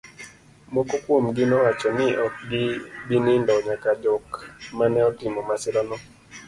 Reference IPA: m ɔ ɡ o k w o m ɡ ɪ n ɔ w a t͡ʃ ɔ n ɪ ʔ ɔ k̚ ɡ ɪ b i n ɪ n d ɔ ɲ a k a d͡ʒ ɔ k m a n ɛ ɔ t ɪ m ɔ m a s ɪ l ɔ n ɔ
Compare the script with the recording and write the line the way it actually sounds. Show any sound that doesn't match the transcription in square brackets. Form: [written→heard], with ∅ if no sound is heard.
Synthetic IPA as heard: m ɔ [ɡ→k] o k w o m ɡ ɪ n ɔ w a t͡ʃ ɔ n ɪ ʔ ɔ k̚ ɡ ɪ b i n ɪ n d ɔ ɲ a k a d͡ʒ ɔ k m a n ɛ ɔ t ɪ m ɔ m a s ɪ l ɔ n ɔ

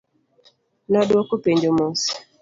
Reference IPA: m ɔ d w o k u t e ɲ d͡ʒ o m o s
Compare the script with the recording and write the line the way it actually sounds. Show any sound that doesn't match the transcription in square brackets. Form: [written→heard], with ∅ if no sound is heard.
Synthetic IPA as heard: [m→n] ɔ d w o k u [t→p] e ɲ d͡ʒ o m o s

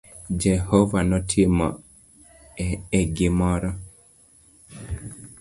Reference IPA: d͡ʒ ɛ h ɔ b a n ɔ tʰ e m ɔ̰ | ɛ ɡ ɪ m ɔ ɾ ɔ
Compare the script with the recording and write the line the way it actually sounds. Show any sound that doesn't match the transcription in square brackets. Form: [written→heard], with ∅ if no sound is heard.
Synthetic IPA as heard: d͡ʒ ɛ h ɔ [b→v] a n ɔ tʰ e m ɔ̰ | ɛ ɡ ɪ m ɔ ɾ ɔ

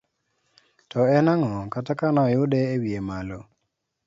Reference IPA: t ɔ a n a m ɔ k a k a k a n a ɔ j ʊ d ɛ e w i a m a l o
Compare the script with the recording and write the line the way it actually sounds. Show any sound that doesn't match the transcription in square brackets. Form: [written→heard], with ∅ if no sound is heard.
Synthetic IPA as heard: t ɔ [a→ɛ] n a [m→ŋ] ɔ k a [k→t] a k a n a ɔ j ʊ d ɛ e w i [a→e] m a l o

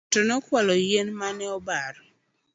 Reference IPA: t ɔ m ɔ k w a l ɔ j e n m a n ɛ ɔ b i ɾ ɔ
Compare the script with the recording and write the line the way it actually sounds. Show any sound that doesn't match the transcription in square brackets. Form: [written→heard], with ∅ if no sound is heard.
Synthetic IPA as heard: t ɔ [m→n] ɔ k w a l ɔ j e n m a n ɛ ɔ b [i→a] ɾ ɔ

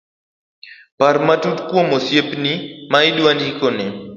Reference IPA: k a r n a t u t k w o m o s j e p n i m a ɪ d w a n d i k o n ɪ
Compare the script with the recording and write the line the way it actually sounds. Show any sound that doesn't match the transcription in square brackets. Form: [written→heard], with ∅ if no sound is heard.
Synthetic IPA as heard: [k→p] a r [n→m] a t u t k w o m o s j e p n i m a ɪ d w a n d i k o n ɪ

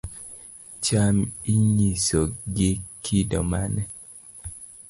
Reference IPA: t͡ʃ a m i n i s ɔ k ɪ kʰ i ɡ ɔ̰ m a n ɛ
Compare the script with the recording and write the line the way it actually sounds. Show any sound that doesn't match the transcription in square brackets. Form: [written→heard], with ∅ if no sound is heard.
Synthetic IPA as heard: t͡ʃ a m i [n→ɲ] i s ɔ [k→ɡ] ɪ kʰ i [ɡ→d] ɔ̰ m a n ɛ

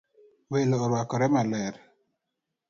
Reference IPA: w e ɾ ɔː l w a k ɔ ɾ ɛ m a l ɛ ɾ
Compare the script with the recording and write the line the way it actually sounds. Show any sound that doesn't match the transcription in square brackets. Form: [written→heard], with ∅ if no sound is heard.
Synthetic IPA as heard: w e [ɾ→l] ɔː [l→ɾ] w a k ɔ ɾ ɛ m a l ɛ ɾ

